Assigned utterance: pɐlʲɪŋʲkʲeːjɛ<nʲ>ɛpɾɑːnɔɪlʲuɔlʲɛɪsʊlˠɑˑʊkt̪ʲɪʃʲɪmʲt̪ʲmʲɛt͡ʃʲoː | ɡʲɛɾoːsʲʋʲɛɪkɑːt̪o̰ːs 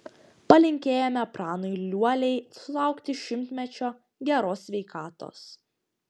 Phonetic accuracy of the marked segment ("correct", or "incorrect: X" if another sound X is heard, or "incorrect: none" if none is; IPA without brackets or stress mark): incorrect: mʲ